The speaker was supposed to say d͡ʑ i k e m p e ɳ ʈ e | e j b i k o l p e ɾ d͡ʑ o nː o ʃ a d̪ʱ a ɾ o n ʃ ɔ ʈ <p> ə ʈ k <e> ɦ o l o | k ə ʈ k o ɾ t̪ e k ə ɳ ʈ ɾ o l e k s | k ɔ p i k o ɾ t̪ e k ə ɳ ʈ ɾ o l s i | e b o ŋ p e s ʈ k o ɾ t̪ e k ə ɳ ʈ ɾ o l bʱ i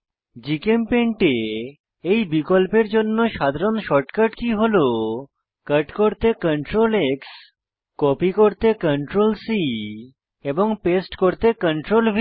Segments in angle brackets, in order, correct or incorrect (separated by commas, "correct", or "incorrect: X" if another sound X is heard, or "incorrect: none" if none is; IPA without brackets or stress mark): incorrect: k, incorrect: i